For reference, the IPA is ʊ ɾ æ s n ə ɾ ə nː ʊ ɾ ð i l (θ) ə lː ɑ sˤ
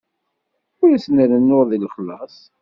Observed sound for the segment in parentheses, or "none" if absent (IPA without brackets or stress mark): χ